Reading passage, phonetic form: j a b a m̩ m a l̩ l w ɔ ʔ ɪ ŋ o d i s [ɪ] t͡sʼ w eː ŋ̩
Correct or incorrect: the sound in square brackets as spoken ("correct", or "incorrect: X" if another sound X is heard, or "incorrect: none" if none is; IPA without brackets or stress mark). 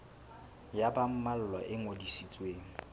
incorrect: i